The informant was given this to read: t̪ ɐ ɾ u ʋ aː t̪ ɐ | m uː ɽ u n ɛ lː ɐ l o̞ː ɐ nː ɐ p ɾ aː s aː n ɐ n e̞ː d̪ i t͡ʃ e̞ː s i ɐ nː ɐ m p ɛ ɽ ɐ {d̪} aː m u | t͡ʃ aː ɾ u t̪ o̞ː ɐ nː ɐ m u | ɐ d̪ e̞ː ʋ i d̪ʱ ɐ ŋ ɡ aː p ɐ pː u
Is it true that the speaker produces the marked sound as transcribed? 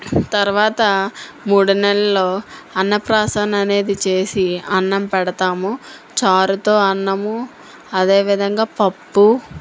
no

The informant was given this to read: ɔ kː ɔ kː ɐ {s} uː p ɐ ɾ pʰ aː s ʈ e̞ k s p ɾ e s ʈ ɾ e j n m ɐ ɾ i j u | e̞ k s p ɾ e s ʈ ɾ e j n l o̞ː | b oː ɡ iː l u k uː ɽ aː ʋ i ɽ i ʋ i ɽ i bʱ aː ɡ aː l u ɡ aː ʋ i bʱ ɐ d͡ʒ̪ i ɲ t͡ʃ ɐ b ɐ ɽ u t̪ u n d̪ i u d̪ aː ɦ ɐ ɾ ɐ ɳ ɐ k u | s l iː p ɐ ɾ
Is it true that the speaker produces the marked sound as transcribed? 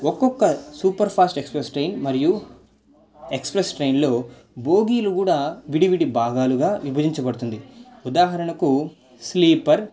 yes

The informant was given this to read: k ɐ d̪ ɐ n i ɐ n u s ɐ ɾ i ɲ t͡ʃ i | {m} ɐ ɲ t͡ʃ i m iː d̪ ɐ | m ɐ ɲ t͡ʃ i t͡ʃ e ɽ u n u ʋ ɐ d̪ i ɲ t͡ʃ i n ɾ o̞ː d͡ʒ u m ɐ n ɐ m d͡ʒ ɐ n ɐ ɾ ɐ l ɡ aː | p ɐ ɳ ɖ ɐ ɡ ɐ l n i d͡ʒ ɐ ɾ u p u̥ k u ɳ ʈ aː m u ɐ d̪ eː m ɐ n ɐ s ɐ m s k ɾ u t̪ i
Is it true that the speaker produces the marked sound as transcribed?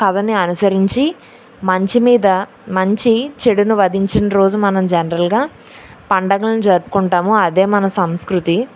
yes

